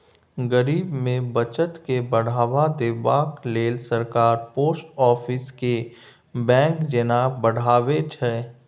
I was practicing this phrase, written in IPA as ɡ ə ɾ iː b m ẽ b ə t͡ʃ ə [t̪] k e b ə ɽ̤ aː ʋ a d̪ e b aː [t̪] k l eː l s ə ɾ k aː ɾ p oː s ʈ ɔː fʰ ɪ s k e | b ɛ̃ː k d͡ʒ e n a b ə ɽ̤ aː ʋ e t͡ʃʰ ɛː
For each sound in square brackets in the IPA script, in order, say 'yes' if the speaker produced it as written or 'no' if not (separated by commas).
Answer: yes, no